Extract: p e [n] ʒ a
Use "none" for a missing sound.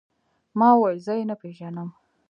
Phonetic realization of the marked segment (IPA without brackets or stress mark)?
none